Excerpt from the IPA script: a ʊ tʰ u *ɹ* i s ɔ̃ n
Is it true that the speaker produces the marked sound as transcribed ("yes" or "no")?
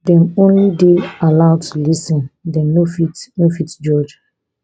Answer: no